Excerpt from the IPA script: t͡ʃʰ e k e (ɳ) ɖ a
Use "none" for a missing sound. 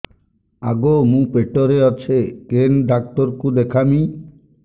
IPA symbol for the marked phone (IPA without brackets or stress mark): n